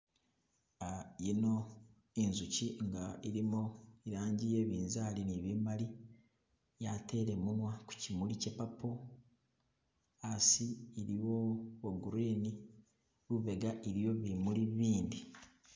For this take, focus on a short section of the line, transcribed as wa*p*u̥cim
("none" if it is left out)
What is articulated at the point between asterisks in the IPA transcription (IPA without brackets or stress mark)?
k